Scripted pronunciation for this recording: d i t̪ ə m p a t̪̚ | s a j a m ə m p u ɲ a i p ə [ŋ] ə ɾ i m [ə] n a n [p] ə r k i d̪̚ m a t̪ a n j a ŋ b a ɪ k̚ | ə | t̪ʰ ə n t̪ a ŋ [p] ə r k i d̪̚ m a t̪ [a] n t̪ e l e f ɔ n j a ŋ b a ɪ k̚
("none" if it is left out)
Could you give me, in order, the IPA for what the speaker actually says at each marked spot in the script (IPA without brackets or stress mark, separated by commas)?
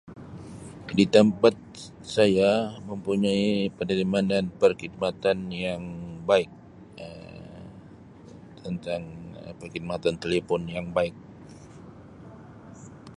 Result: n, a, p, p, a